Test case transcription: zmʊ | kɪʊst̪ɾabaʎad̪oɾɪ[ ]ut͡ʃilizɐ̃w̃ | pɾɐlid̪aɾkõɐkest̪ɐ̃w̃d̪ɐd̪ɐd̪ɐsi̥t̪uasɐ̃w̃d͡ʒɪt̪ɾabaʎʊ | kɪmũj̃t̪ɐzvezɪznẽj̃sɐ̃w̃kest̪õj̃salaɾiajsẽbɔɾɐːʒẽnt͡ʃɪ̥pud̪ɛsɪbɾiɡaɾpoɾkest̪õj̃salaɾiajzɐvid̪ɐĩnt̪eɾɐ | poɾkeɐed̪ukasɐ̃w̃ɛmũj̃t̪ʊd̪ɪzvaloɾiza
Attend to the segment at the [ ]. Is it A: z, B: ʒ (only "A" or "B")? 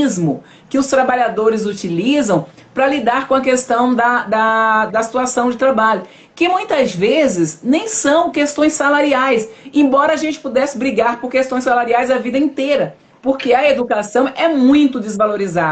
A